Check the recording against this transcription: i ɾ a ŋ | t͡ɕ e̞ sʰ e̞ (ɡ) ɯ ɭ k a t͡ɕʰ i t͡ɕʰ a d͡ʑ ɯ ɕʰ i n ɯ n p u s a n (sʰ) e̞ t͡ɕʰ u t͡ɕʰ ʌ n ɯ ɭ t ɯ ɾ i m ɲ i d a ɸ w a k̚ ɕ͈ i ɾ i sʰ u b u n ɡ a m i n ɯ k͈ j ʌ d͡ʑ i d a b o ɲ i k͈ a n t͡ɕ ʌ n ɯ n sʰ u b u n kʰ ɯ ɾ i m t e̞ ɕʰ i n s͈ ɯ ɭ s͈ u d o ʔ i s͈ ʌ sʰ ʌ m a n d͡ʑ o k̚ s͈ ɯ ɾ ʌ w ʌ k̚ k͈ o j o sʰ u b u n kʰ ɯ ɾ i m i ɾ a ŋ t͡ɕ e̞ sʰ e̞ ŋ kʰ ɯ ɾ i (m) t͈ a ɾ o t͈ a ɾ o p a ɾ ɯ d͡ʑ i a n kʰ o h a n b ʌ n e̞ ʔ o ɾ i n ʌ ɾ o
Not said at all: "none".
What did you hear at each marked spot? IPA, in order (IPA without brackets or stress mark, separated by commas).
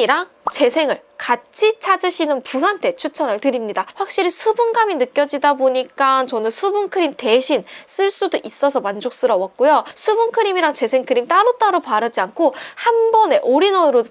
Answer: ŋ, tʰ, m